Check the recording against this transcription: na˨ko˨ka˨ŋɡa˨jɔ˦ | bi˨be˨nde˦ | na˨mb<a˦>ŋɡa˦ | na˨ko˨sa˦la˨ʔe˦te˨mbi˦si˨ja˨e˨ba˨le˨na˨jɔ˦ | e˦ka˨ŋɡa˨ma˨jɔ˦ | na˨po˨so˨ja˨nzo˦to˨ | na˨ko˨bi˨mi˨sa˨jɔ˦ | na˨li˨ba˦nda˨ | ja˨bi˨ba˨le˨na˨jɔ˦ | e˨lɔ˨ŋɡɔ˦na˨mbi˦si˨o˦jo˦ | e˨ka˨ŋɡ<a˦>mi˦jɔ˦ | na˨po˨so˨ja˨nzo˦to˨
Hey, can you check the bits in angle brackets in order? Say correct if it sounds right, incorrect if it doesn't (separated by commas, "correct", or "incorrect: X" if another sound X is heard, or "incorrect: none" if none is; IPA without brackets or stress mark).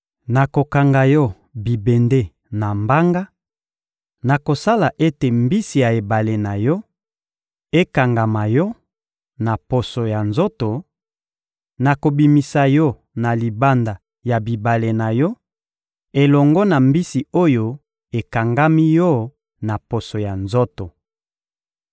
correct, correct